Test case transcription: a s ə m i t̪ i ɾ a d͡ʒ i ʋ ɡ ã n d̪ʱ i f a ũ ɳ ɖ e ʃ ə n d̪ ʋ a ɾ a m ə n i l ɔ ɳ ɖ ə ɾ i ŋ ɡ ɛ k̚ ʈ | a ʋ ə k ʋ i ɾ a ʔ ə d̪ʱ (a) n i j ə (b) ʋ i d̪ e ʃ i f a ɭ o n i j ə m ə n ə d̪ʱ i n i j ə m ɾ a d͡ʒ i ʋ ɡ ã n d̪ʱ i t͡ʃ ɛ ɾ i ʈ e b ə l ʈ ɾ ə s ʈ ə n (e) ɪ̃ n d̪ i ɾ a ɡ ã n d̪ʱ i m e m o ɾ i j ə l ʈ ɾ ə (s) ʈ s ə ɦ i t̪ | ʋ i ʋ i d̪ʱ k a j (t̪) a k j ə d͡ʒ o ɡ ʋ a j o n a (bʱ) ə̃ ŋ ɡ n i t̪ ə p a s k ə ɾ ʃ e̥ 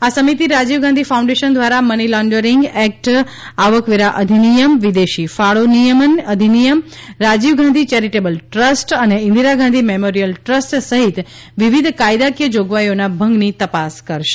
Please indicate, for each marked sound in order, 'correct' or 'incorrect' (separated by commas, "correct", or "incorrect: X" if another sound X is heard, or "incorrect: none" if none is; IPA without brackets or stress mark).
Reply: incorrect: i, incorrect: m, correct, correct, incorrect: d̪, correct